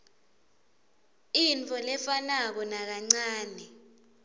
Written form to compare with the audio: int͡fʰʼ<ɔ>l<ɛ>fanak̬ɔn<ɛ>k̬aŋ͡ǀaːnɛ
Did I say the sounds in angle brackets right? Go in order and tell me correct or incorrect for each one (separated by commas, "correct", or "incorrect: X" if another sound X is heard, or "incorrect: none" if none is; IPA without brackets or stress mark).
correct, correct, incorrect: a